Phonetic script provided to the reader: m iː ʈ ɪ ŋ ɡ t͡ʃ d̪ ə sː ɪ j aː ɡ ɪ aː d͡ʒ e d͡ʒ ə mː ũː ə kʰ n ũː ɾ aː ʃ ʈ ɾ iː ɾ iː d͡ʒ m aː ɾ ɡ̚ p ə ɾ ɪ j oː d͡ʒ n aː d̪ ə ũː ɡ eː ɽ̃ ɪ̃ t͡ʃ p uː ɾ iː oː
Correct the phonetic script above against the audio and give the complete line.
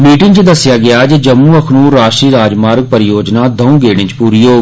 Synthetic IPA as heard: m iː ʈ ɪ ŋ ɡ t͡ʃ d̪ ə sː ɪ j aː ɡ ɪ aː d͡ʒ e d͡ʒ ə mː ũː ə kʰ n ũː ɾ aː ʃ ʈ ɾ iː ɾ aː d͡ʒ m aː ɾ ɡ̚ p ə ɾ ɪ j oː d͡ʒ n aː d̪ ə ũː ɡ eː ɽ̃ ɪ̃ t͡ʃ p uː ɾ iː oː